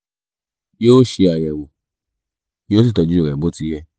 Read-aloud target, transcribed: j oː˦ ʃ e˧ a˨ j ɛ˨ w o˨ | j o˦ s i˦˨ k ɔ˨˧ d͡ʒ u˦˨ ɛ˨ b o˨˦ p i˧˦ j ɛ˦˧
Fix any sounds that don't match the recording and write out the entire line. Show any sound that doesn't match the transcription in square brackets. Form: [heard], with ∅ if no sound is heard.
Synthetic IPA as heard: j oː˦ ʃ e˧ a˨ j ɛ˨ w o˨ | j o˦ s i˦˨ [t] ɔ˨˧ d͡ʒ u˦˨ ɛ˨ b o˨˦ [t] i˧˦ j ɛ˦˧